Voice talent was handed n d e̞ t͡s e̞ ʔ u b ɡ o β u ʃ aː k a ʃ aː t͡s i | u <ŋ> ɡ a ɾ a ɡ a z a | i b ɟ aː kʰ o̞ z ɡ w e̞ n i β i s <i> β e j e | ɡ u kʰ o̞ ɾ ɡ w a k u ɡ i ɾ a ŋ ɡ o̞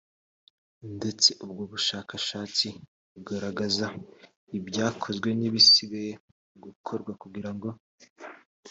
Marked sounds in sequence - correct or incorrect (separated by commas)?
incorrect, correct